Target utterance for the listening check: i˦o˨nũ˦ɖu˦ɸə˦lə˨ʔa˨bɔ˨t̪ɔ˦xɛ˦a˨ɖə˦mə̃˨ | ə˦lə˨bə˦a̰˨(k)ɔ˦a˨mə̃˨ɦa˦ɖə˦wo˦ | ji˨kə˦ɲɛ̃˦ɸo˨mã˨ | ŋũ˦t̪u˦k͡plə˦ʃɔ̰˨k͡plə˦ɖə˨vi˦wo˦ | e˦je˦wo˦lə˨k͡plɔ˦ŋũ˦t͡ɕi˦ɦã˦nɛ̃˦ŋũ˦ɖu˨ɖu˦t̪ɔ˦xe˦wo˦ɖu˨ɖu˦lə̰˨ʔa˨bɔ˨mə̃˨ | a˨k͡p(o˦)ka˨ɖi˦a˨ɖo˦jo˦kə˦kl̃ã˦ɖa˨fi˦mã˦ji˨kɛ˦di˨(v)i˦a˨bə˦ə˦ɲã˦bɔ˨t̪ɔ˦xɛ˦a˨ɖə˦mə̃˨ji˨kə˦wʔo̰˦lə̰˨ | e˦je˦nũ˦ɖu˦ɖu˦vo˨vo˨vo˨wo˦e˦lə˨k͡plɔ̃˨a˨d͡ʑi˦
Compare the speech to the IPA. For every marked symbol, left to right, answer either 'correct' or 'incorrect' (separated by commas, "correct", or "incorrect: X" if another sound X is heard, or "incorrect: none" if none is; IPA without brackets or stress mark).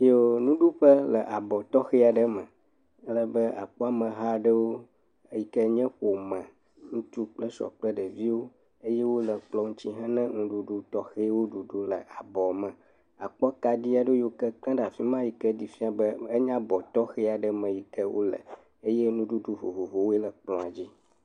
incorrect: k͡p, incorrect: ɔ˦, incorrect: f